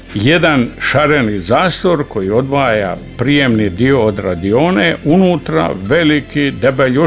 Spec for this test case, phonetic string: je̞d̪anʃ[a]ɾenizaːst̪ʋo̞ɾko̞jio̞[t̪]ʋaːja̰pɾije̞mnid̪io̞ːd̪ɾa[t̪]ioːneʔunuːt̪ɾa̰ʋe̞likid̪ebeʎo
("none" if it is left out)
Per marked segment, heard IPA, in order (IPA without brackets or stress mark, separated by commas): a, d̪, d̪